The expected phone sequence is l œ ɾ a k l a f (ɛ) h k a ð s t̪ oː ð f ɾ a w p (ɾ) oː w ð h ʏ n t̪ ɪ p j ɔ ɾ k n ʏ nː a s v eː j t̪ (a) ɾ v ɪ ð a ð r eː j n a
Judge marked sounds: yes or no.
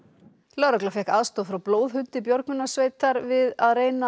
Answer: yes, no, yes

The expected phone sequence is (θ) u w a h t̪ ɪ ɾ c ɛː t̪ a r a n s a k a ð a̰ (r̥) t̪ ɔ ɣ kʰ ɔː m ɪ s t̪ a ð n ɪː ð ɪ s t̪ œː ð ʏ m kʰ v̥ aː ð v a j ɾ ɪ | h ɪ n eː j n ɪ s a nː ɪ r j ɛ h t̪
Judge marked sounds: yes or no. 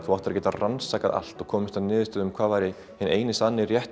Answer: yes, no

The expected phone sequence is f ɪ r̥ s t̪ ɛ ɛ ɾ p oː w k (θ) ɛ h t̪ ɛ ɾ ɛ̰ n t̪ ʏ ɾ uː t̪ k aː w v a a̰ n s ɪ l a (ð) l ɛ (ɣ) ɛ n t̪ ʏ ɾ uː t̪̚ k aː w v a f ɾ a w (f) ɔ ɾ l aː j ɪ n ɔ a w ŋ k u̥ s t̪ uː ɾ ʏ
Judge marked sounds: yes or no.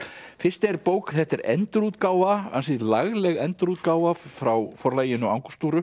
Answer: yes, no, yes, yes

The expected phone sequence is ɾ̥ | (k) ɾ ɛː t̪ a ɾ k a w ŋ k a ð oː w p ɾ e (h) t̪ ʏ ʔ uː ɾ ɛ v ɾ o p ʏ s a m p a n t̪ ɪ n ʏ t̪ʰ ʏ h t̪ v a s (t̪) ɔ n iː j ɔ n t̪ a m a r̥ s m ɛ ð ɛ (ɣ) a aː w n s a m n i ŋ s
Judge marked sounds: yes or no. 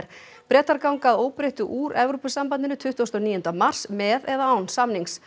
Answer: no, yes, yes, no

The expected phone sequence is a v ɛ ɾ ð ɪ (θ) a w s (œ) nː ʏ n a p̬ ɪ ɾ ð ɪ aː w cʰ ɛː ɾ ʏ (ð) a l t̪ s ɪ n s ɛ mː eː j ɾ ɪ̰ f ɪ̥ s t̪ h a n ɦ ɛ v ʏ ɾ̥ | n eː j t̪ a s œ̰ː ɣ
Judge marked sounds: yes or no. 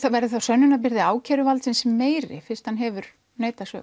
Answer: yes, yes, no

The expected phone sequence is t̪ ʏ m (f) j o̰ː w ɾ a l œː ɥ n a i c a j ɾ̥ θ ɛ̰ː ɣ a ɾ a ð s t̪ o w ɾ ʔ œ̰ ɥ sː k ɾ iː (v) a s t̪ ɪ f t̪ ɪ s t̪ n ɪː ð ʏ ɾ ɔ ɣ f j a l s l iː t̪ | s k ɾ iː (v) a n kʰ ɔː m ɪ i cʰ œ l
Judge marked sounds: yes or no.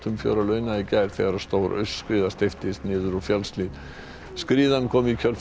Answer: yes, no, no

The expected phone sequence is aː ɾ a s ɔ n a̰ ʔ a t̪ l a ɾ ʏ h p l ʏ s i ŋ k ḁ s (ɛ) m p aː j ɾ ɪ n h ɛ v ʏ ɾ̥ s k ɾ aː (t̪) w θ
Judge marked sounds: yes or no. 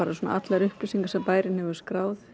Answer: yes, no

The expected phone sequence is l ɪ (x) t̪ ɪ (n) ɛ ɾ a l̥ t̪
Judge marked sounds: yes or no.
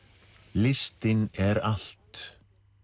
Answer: no, yes

